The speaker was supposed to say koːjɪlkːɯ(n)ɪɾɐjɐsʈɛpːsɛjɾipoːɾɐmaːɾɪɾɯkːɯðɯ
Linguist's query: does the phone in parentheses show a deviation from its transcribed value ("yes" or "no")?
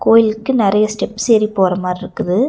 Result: no